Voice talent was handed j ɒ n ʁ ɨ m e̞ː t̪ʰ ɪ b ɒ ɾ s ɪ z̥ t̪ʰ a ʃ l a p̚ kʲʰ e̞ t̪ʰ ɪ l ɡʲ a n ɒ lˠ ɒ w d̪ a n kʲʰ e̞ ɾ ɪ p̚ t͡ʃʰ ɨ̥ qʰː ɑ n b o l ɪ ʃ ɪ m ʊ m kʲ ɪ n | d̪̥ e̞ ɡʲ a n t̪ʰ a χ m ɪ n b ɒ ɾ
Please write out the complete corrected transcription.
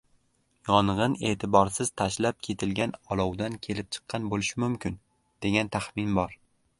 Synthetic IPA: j ɒ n ʁ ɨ n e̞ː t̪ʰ ɪ b ɒ ɾ s ɪ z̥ t̪ʰ a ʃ l a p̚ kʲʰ e̞ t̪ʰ ɪ l ɡʲ a n ɒ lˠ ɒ w d̪ a n kʲʰ e̞ l ɪ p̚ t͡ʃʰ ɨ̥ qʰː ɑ n b o l ɪ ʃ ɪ m ʊ m kʲ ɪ n | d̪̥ e̞ ɡʲ a n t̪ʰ a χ m ɪ n b ɒ ɾ